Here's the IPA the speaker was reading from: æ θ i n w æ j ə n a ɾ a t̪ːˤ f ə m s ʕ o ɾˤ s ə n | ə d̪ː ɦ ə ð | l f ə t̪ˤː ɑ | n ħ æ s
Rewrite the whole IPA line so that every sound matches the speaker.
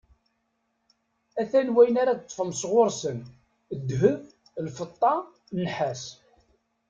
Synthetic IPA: æ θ æ n w æ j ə n a ɾ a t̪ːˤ f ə m s ʁ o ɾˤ s ə n | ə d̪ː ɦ ə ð | l f ə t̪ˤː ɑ | n ħ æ s

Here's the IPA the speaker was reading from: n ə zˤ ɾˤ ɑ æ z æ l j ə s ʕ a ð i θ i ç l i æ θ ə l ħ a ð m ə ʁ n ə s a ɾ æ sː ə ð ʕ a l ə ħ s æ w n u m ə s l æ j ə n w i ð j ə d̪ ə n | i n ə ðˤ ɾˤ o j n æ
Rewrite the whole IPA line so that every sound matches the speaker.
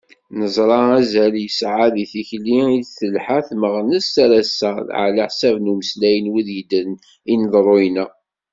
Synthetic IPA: n ə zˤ ɾˤ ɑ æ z æ l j ə s ʕ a ð i θ i ç l i i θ ə l ħ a θ m ə ʁ n ə s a ɾ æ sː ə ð ʕ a l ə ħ s æ v n u m ə s l æ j ə n w i ð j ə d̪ ə n | i n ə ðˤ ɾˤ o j n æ

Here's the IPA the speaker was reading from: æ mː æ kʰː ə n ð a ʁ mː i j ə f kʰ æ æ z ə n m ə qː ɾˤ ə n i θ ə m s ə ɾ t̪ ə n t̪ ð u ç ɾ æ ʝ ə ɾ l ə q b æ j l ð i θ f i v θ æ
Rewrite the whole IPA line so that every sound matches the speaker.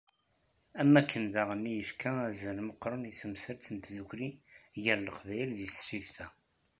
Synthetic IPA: æ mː æ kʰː ə n ð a ʁ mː i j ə f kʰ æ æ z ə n m ə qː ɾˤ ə n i θ ə m s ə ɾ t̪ ə n t̪ ð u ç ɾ i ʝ ə ɾ l ə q v æ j l ð i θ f i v θ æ

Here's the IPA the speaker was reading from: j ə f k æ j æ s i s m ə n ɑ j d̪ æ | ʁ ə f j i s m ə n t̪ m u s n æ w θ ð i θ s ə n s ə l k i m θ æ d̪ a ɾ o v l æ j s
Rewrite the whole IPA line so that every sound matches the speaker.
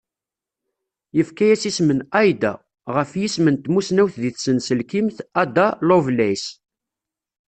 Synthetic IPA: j ə f k æ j æ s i s m ə n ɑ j d̪ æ | ʁ ə f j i s m ə n t̪ m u s n æ w θ ð i θ s ə n s ə l k i m θ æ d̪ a l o v l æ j s

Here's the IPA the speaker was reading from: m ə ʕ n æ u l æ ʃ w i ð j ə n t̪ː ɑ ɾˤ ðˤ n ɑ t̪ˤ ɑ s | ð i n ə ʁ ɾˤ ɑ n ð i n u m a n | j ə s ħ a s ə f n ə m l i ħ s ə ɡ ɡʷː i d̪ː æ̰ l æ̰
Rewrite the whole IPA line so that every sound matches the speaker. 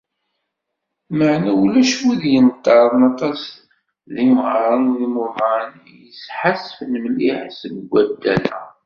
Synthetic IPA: m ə ʕ n æ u l æ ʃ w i ð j ə n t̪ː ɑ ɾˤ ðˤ n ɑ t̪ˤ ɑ s | ð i m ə ʁ ɾˤ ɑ n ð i m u m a n | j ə s ħ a s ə f n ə m l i ħ s ə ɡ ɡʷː æ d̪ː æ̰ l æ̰

